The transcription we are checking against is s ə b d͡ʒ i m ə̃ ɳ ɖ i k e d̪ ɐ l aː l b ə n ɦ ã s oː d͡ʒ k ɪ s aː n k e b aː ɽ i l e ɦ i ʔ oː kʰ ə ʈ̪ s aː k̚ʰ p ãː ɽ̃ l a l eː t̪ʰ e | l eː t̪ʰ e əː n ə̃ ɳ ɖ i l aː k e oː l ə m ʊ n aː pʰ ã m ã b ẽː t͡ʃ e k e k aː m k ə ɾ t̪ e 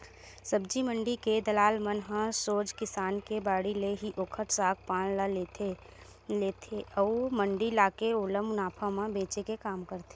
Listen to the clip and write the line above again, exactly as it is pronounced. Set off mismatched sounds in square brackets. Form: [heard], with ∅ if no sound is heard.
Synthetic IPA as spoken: s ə b d͡ʒ i m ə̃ ɳ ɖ i k e d̪ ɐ l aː l [m] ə n ɦ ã s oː d͡ʒ k ɪ s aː n k e b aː ɽ i l e ɦ i ʔ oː kʰ ə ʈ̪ s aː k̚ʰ p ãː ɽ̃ l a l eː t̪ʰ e | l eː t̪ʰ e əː [m] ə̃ ɳ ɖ i l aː k e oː l ə m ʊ n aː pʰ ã m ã b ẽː t͡ʃ e k e k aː m k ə ɾ t̪ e